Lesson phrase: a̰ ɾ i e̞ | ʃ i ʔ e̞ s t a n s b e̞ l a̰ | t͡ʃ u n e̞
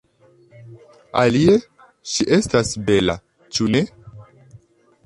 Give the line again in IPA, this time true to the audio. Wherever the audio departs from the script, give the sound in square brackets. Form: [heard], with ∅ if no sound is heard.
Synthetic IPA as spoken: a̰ [l] i e̞ | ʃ i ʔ e̞ s t a [∅] s b e̞ l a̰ | t͡ʃ u n e̞